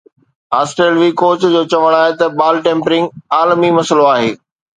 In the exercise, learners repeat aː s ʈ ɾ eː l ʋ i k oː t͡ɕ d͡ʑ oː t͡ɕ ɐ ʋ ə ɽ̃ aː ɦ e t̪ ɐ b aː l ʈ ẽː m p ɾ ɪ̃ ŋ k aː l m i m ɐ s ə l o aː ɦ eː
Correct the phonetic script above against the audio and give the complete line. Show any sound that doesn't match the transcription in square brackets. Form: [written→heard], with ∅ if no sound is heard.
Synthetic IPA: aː s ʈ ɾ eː l ʋ i k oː t͡ɕ d͡ʑ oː t͡ɕ ɐ ʋ ə ɽ̃ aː ɦ e t̪ ɐ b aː l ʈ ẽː m p ɾ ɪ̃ ŋ [k→ɡ] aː l m i m ɐ s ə l o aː ɦ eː